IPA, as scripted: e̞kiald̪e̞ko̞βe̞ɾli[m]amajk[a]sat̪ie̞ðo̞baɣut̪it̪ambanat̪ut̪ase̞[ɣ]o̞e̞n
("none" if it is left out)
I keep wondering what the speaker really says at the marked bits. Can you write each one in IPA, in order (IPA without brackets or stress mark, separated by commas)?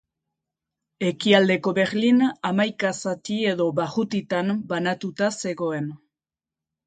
n, a, ɣ